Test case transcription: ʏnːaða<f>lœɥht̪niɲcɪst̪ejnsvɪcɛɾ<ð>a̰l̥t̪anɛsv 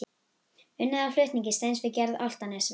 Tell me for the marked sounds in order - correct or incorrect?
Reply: correct, correct

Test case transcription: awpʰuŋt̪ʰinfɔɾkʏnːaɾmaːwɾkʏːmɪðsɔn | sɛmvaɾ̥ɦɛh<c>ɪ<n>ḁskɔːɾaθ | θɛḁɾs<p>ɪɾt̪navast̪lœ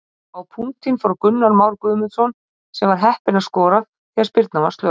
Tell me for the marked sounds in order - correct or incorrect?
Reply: incorrect: p, correct, correct

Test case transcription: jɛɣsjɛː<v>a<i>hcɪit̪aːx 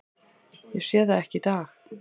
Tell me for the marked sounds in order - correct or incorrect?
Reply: incorrect: ð, incorrect: ɛ

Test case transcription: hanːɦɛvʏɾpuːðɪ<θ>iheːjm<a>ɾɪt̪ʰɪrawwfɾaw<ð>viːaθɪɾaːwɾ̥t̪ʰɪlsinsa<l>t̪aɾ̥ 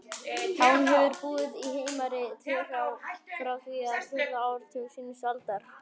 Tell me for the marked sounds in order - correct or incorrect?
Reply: incorrect: ð, correct, incorrect: θ, correct

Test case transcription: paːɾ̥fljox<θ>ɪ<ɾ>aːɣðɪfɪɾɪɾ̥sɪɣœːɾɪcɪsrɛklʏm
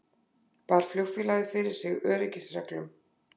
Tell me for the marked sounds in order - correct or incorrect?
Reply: incorrect: f, incorrect: l

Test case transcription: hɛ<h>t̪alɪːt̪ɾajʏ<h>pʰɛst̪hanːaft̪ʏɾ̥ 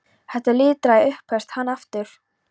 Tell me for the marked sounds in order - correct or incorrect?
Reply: correct, correct

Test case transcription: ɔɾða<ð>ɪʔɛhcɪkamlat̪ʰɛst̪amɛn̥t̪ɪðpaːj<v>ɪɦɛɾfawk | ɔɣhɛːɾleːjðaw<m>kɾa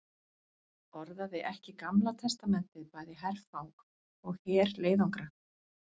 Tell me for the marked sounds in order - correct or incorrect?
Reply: correct, incorrect: ð, incorrect: ŋ

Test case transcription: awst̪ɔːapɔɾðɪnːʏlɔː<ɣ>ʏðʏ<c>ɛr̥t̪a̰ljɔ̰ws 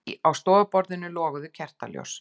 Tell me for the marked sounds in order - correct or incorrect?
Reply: correct, incorrect: cʰ

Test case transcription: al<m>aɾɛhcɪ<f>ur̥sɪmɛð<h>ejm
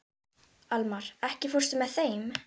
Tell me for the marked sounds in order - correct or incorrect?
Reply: correct, correct, incorrect: θ

